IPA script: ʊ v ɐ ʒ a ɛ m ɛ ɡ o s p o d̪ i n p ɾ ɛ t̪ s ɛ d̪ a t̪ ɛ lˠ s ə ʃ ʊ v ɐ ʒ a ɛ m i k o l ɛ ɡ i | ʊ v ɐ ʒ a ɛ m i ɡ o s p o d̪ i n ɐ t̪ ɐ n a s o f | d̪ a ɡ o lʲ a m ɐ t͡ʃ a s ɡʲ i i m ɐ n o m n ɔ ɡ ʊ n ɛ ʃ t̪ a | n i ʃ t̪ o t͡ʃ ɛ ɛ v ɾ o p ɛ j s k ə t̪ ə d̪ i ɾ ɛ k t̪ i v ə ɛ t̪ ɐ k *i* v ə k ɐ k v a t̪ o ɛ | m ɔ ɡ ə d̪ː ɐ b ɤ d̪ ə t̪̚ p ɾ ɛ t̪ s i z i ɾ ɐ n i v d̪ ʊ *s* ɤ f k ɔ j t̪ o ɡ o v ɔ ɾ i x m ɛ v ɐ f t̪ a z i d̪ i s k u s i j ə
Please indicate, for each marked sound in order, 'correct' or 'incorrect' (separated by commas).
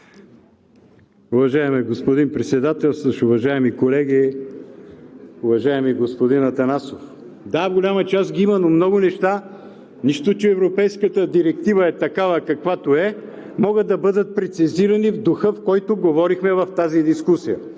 incorrect, incorrect